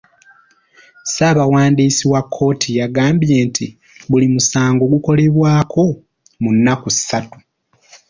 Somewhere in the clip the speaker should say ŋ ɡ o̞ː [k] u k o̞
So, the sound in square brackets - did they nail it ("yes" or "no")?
no